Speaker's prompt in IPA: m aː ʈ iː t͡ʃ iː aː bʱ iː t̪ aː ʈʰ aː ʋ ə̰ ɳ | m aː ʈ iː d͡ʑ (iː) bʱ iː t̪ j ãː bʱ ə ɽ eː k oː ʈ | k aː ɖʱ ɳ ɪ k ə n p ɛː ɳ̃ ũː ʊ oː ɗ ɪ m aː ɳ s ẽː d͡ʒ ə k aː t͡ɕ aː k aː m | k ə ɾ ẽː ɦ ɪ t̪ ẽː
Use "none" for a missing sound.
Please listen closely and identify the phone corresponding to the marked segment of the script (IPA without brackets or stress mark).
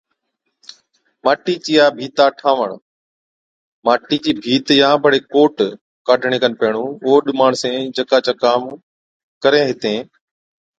iː